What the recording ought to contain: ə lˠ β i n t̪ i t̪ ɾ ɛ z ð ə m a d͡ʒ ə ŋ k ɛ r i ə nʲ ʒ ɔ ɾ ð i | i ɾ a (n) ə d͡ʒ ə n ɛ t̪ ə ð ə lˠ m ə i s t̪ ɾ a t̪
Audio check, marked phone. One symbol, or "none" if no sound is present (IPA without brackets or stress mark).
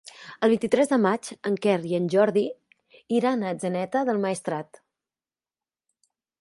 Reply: n